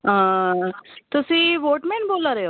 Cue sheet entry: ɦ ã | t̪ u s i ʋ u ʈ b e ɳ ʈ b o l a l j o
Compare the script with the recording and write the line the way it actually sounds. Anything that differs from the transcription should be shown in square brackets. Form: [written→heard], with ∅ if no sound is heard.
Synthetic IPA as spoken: ɦ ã | t̪ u s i ʋ [u→o] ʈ [b→m] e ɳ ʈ b o l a [l→ɾ] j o